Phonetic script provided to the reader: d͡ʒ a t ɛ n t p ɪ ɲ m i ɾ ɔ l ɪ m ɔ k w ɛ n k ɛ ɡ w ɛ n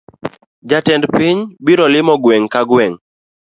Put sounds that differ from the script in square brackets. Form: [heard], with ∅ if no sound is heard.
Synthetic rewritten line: d͡ʒ a t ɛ n [d] p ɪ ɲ [b] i ɾ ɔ l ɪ m ɔ [ɡ] w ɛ [ŋ] k [a] ɡ w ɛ [ŋ]